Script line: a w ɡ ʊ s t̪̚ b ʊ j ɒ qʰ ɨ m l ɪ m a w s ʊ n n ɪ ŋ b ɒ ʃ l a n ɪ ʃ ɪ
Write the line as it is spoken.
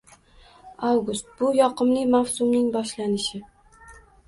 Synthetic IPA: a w ɡ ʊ s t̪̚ b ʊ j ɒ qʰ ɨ m l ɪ m a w s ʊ m n ɪ ŋ b ɒ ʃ l a n ɪ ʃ ɪ

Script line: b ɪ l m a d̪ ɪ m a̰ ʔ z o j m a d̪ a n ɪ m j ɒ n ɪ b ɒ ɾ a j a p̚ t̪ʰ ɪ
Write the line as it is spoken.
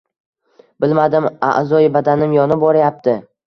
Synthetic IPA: b ɪ l m a d̪ ɪ m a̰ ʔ z ɒ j b a d̪ a n ɪ m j ɒ n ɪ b ɒ ɾ a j a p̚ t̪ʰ ɪ

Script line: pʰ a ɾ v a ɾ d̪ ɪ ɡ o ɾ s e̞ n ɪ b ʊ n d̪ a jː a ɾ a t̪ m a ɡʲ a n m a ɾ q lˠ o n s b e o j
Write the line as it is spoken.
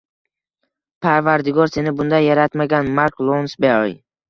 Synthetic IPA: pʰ a ɾ v a ɾ d̪ ɪ ɡ ɒ ɾ s e̞ n ɪ b ʊ n d̪ a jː a ɾ a t̪ m a ɡʲ a n m a ɾ k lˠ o n s b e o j

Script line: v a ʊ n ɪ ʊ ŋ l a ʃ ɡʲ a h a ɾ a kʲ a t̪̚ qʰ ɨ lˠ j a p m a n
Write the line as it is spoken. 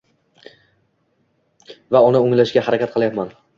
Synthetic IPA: v a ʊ n ɪ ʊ ŋ l a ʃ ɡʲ a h a ɾ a kʲ a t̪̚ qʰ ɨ lˠ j a p m a n

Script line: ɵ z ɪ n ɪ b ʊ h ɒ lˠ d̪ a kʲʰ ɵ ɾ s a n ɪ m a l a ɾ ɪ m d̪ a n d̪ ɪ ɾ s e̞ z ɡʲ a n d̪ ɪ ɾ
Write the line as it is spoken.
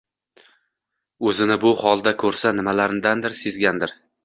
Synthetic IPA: ɵ z ɪ n ɪ b ʊ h ɒ lˠ d̪ a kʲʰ ɵ ɾ s a n ɪ m a l a ɾ ɪ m d̪ a n d̪ ɪ ɾ s e̞ z ɡʲ a n d̪ ɪ ɾ

